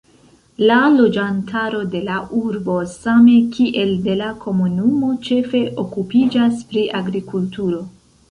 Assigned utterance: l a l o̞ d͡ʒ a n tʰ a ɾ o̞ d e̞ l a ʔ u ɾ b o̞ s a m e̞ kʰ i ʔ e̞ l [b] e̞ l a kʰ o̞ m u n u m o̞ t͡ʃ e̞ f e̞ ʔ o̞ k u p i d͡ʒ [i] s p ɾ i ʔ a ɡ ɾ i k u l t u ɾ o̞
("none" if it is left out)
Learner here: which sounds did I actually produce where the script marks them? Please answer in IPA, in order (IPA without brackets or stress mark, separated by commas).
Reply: d, a